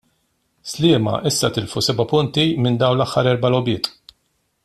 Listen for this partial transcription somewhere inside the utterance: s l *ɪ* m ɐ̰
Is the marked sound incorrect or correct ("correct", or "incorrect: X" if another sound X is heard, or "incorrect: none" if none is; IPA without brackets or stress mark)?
incorrect: ɪː